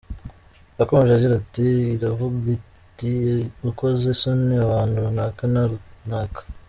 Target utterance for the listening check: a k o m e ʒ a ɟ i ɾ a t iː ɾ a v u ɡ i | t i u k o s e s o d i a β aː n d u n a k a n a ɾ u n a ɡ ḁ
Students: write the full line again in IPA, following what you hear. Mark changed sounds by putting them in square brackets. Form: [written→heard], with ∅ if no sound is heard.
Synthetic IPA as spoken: a k o m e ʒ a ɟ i ɾ a t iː ɾ a v u ɡ i | t i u k o [s→z] e s o [d→n] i a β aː n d u n a k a n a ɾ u n a [ɡ→k] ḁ